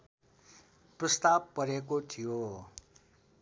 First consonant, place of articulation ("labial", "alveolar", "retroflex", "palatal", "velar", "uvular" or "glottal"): labial